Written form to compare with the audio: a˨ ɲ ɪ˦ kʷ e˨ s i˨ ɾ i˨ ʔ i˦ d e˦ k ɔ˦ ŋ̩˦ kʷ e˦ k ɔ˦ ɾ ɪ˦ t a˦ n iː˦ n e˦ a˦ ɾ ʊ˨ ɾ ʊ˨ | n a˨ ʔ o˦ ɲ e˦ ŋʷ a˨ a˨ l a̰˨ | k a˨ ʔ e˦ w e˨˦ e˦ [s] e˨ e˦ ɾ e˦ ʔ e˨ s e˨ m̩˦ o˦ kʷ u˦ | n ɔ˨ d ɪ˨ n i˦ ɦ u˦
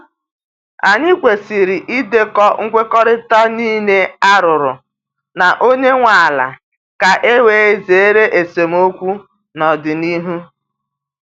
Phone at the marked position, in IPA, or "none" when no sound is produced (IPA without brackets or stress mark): z